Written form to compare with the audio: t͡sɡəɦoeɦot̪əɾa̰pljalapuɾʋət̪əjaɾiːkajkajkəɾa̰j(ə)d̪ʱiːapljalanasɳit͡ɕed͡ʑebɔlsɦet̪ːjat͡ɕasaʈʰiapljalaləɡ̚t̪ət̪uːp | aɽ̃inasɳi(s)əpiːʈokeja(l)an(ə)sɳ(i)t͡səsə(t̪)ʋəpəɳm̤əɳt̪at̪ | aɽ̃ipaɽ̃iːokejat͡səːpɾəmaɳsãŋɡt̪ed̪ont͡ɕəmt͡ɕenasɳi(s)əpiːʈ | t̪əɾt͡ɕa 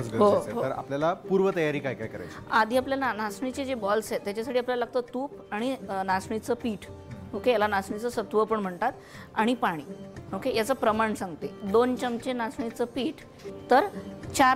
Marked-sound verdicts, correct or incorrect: incorrect, incorrect, correct, incorrect, correct, correct, incorrect

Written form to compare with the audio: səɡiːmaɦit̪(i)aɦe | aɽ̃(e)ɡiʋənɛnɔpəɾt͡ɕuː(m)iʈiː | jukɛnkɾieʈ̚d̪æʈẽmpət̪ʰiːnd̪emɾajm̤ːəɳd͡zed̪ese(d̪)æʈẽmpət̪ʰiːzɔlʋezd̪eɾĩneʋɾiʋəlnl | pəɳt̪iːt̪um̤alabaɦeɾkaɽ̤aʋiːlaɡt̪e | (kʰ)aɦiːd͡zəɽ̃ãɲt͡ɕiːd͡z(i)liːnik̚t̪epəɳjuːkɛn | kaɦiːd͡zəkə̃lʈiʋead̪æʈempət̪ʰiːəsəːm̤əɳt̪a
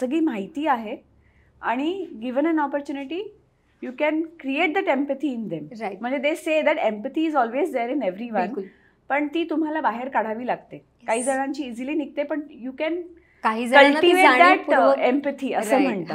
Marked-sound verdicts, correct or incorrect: incorrect, incorrect, incorrect, correct, incorrect, correct

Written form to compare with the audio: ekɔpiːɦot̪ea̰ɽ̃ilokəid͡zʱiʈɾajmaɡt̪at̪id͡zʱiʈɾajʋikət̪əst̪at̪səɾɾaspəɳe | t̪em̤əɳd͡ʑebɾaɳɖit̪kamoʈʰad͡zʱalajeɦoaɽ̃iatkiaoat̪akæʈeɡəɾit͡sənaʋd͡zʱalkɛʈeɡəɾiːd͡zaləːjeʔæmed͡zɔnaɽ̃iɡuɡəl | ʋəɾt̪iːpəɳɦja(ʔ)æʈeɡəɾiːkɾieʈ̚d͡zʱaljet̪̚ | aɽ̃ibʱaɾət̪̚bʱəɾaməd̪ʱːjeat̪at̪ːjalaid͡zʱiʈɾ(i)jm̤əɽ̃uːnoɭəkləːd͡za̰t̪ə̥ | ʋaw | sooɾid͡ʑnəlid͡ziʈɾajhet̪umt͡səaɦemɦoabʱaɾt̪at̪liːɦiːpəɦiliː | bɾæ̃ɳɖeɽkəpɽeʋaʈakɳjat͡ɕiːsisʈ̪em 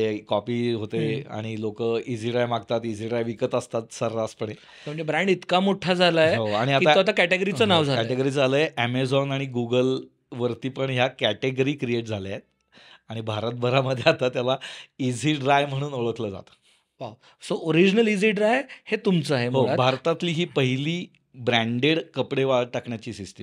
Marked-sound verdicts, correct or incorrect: incorrect, incorrect

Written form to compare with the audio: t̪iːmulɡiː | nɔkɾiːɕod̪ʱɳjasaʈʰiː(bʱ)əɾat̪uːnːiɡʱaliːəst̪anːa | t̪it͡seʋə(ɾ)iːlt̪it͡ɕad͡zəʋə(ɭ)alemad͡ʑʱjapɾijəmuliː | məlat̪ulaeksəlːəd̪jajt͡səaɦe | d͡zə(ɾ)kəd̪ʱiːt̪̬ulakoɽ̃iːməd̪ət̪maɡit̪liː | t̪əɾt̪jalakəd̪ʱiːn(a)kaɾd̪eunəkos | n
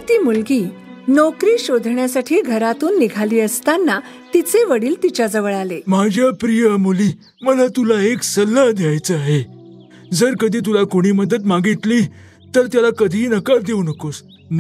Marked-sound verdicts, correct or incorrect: incorrect, incorrect, correct, correct, incorrect

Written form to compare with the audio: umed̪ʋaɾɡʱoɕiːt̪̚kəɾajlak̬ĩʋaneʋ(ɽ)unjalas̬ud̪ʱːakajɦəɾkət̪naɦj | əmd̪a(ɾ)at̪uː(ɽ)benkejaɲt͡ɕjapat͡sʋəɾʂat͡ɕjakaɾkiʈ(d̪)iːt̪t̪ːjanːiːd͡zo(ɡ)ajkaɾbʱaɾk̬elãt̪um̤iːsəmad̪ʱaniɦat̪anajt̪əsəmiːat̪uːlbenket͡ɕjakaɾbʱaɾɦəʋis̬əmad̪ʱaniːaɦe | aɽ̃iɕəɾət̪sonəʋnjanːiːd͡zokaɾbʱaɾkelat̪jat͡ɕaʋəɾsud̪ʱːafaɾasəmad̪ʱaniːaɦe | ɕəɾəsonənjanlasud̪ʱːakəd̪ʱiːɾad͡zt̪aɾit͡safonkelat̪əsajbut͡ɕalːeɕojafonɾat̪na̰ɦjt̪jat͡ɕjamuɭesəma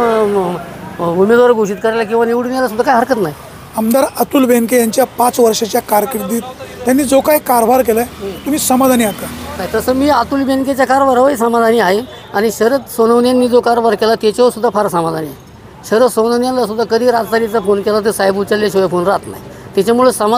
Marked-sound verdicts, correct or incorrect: correct, correct, incorrect, correct, incorrect

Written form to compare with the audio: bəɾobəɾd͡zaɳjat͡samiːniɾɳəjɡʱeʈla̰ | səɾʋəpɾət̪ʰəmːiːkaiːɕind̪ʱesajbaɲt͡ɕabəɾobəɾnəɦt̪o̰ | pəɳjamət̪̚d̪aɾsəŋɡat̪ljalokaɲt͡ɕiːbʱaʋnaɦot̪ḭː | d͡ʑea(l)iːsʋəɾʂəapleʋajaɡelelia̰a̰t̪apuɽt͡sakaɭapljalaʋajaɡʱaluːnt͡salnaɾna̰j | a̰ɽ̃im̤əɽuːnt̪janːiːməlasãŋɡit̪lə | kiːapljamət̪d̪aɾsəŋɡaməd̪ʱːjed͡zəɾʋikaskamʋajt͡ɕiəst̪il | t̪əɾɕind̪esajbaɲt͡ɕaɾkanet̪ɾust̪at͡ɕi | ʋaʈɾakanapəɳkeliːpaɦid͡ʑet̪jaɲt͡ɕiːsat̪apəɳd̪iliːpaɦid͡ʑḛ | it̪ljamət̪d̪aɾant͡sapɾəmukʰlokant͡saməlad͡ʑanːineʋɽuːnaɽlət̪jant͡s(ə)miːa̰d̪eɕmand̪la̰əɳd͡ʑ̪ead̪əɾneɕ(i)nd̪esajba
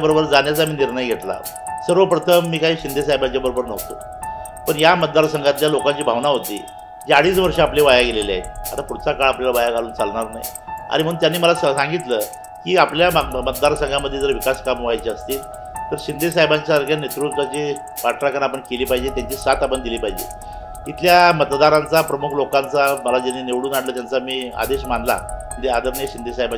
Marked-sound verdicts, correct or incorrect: incorrect, incorrect, correct

